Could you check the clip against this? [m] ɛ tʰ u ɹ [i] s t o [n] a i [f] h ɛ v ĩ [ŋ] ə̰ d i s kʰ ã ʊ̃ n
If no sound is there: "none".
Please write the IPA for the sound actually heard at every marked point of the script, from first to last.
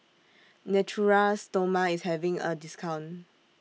n, a, m, s, ŋ

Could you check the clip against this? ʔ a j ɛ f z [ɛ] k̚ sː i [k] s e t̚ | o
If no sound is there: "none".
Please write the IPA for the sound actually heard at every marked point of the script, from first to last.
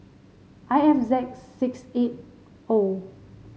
ɛ, k

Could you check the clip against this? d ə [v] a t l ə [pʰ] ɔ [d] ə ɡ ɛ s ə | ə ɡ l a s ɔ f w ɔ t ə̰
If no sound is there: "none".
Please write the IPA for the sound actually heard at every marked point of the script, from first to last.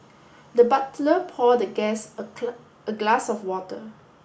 b, pʰ, d

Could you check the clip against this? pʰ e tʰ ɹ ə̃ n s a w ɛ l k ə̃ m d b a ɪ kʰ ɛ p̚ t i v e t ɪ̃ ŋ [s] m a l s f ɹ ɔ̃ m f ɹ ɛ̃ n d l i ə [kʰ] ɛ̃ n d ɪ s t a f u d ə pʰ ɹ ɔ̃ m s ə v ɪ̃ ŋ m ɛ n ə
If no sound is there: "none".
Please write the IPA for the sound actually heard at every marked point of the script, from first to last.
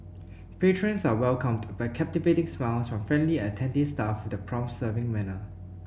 s, tʰ

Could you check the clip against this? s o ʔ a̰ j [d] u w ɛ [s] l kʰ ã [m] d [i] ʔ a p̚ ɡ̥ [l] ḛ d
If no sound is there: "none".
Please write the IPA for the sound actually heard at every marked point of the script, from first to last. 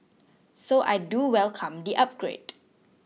d, none, m, i, ɹ

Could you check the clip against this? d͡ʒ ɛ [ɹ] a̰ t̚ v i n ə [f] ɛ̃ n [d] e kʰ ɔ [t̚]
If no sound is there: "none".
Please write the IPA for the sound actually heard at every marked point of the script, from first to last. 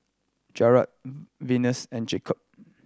ɹ, s, d͡ʒ, p̚

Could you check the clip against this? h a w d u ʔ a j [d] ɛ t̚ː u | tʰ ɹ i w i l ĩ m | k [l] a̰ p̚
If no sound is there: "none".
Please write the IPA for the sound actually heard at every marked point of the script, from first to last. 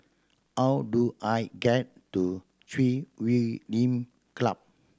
ɡ, l

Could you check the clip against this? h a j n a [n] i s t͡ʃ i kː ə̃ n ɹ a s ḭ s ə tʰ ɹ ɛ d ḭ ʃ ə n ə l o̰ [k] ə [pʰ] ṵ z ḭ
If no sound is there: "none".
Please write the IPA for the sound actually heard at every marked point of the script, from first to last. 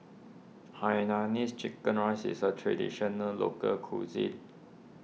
n, k, kʰ

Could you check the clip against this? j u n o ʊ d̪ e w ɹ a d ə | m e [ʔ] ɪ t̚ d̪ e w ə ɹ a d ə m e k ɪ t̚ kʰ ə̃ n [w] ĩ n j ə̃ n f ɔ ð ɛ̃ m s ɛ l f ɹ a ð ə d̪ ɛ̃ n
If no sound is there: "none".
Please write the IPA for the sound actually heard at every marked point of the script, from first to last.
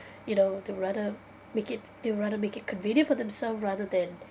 k, v

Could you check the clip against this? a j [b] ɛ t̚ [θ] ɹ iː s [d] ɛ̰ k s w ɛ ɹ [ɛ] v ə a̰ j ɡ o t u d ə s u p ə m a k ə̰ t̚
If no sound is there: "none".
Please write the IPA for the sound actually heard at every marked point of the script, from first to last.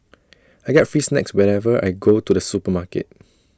ɡ, f, n, ɛ

